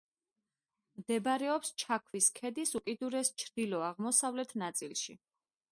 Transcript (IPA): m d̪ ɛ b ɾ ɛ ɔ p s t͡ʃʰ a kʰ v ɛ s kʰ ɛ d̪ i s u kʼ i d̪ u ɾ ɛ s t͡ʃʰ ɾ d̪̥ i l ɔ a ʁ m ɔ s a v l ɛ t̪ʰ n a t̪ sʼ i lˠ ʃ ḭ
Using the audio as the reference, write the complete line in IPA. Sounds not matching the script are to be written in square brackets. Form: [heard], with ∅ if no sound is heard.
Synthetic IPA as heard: m d̪ ɛ b ɾ ɛ ɔ p s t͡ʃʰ a kʰ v [i] s kʰ ɛ d̪ i s u kʼ i d̪ u ɾ ɛ s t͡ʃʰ ɾ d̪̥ i l ɔ a ʁ m ɔ s a v l ɛ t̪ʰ n a t̪ sʼ i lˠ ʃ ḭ